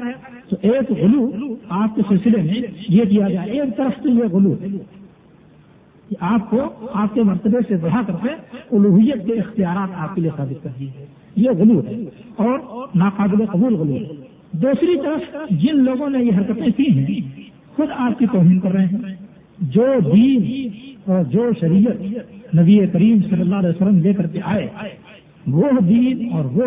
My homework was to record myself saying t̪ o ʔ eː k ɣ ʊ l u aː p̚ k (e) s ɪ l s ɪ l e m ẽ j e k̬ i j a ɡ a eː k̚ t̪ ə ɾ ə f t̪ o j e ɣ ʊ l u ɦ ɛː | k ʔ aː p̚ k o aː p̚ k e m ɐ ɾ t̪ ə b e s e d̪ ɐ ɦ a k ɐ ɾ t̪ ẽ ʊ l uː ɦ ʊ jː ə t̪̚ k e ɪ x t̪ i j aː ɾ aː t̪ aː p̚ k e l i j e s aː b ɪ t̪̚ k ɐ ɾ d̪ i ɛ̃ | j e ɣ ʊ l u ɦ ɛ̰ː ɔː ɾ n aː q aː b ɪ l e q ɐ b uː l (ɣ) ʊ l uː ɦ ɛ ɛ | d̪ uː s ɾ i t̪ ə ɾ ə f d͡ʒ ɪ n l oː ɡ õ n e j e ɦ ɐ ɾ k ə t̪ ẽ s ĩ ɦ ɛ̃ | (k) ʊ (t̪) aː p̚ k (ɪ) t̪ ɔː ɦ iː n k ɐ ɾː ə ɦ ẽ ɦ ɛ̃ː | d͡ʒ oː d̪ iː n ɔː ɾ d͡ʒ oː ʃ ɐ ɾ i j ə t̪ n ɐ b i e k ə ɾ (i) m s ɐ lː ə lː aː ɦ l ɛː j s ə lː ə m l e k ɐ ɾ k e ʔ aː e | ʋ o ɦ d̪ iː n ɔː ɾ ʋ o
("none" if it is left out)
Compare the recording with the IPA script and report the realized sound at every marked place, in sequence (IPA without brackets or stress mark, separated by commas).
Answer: e, ɣ, x, d̪, i, iː